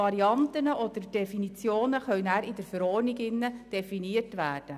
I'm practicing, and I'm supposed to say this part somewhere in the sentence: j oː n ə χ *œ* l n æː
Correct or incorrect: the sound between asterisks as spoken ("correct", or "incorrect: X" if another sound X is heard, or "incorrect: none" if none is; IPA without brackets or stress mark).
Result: correct